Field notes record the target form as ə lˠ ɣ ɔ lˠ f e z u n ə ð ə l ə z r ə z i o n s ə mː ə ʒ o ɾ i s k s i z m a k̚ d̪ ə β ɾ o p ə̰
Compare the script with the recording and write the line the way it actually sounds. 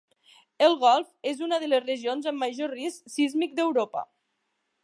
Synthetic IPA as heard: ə lˠ ɣ ɔ lˠ f e z u n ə ð ə l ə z r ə ʒ i o n z ə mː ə ʒ o r i s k s i z m i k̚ d̪ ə w ɾ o p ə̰